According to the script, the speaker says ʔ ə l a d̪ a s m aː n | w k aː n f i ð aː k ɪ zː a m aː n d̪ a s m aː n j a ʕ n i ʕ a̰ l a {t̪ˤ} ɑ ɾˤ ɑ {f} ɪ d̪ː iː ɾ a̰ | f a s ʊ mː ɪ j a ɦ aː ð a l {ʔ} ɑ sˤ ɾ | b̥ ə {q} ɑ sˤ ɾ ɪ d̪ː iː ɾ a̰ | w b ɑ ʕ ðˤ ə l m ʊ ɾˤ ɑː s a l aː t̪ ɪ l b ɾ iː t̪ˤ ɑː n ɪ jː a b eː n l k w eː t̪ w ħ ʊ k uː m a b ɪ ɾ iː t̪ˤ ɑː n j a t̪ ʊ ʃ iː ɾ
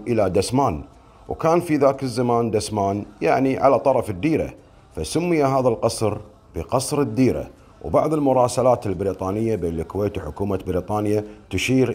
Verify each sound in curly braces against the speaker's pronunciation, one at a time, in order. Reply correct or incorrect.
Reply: correct, correct, incorrect, correct

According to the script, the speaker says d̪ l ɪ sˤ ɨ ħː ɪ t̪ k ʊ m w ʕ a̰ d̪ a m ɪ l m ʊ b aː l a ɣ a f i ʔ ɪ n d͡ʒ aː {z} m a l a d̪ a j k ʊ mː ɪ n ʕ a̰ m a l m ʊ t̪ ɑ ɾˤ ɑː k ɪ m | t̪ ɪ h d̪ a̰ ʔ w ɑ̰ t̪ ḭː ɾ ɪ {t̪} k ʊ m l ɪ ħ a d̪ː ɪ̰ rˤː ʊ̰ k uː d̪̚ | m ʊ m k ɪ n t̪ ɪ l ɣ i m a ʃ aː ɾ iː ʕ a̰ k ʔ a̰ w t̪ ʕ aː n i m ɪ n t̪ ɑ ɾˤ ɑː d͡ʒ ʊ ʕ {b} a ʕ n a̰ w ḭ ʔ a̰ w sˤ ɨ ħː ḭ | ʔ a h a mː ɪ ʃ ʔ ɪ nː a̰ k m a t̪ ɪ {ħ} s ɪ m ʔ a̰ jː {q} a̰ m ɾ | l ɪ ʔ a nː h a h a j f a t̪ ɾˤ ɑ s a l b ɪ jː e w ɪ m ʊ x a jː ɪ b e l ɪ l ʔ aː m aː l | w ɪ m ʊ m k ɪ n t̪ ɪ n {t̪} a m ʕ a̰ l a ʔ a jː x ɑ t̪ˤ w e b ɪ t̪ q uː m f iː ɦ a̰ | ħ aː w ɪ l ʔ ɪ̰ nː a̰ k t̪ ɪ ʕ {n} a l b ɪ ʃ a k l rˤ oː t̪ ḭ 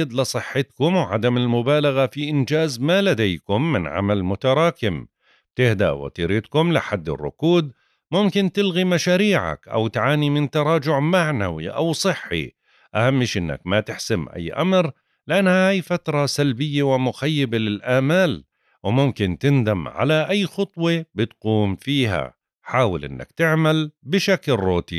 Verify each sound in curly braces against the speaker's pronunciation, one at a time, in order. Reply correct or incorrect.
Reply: correct, correct, incorrect, correct, incorrect, incorrect, incorrect

